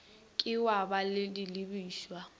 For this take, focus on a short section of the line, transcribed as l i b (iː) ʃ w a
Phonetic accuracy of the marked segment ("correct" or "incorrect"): correct